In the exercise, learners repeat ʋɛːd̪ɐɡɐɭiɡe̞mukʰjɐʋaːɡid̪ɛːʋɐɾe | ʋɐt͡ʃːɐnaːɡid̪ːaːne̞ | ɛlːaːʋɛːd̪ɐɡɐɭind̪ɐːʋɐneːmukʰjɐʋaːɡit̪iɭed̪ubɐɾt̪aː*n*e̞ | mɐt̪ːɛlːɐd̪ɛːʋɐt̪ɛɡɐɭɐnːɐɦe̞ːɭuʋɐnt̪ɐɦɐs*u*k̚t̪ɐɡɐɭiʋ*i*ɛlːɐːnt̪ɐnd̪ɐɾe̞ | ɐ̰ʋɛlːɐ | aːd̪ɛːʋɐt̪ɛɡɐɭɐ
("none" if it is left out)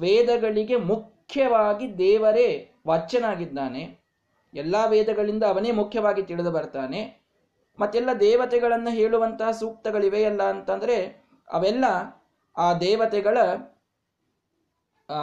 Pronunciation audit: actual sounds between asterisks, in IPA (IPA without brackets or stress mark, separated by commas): n, uː, e